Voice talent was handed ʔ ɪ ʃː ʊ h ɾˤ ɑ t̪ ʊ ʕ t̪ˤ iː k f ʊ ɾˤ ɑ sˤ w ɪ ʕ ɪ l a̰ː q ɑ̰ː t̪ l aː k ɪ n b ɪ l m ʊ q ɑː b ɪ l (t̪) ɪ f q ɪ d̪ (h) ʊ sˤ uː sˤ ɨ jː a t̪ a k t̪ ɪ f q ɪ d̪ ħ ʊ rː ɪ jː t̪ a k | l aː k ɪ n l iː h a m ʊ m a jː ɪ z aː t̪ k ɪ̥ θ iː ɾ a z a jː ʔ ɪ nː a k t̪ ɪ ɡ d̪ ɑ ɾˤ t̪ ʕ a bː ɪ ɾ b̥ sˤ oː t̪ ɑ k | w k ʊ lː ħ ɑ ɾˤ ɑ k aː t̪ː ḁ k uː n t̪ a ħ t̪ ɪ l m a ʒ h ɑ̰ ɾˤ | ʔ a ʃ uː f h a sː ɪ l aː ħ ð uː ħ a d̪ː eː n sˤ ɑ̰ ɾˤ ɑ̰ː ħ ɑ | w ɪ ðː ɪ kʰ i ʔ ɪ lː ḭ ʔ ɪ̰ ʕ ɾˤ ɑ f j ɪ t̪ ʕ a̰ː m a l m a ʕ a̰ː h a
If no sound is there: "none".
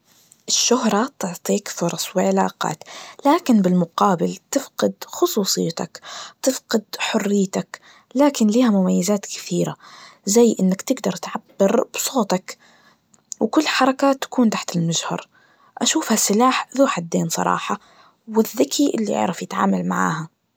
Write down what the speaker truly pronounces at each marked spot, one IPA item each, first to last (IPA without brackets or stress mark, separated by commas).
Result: t̪, x